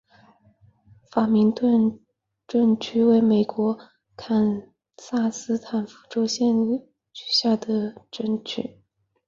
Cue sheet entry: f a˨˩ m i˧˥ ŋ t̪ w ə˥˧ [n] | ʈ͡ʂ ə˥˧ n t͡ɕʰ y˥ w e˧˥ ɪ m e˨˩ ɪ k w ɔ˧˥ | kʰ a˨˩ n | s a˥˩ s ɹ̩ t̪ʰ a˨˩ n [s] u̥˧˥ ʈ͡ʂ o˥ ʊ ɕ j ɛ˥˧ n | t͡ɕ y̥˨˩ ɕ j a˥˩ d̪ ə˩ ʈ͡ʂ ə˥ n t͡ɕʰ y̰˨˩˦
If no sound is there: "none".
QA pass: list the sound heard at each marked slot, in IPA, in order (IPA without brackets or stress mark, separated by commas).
n, f